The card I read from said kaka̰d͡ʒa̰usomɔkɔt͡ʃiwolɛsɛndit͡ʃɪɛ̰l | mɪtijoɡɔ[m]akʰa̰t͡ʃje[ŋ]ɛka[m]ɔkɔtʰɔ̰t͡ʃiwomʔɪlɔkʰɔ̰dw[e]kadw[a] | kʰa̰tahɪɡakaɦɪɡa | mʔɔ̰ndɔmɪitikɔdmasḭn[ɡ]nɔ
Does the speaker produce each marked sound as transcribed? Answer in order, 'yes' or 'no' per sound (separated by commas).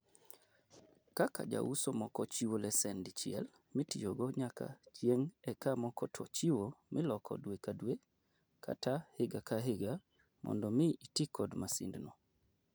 no, yes, yes, yes, no, no